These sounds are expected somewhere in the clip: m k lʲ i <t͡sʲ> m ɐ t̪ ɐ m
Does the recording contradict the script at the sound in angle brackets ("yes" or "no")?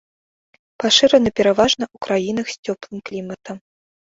yes